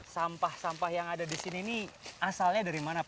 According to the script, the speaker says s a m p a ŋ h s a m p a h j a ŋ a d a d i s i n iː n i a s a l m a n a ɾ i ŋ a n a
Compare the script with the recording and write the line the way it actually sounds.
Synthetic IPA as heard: s a m p a h s a m p a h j a ŋ a d a d i s i n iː n i a s a l ɲ a d a ɾ i m a n a